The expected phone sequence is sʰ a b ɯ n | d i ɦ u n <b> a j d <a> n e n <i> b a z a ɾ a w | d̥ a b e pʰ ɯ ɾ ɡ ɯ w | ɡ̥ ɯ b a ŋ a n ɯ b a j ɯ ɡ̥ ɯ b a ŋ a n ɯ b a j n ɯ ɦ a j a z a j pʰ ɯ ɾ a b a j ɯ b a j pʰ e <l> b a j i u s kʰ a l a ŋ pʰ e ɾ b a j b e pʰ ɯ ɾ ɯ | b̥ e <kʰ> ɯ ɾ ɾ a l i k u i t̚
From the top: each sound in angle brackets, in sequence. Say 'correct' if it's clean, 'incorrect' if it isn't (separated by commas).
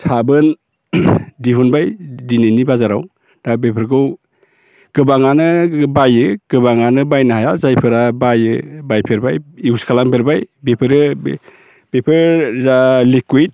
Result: correct, incorrect, correct, incorrect, incorrect